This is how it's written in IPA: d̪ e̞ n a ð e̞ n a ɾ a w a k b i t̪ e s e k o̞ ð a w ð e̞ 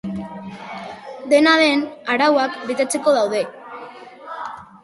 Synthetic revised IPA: d̪ e̞ n a ð e̞ n a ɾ a w a k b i t̪ e t͡s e k o̞ ð a w ð e̞